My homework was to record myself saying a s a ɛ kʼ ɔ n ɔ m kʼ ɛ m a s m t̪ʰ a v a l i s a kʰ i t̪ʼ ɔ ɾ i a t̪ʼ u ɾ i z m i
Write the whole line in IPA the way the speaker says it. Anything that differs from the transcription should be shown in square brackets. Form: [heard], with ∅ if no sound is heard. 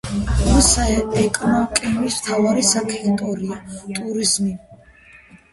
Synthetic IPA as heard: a s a ɛ kʼ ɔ n ɔ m kʼ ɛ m [i] s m t̪ʰ a v a [ɾ] i s a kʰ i t̪ʼ ɔ ɾ i a t̪ʼ u ɾ i z m i